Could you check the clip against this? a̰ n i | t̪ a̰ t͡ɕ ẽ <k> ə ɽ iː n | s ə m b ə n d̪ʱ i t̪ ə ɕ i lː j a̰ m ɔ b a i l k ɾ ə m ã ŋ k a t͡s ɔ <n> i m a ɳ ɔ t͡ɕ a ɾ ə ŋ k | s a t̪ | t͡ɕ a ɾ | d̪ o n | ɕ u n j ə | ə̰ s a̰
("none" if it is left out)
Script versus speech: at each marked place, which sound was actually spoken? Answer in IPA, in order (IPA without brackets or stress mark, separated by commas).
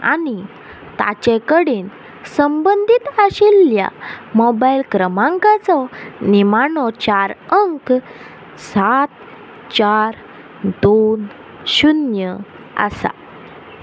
k, n